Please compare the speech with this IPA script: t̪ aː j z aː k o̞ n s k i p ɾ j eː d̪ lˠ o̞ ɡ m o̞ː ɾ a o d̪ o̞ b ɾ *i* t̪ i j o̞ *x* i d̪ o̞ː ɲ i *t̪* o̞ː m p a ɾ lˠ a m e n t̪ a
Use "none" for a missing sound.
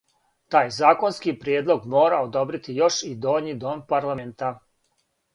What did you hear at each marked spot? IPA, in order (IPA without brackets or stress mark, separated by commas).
i, ʃ, d̪